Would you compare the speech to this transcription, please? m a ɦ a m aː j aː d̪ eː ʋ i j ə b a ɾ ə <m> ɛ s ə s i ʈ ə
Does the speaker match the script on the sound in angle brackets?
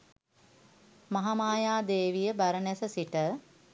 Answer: no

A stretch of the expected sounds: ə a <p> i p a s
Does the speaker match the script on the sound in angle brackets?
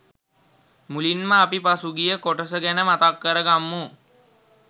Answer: yes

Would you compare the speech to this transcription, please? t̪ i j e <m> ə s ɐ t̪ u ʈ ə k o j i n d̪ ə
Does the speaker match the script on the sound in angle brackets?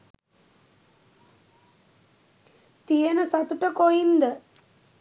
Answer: no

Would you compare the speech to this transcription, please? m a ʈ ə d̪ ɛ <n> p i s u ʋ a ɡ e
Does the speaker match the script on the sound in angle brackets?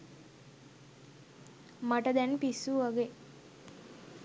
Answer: yes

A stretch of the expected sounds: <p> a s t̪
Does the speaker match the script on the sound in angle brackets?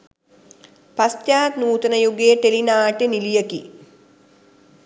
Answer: yes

